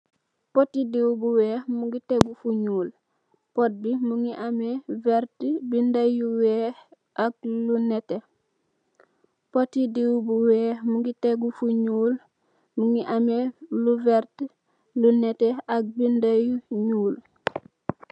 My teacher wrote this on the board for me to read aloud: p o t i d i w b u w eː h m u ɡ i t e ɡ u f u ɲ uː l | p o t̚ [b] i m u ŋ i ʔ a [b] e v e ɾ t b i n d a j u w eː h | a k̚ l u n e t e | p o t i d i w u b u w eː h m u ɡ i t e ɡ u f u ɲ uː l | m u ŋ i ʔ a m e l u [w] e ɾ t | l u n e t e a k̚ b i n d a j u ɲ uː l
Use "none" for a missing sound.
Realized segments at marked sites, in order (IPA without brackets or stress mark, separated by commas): b, m, v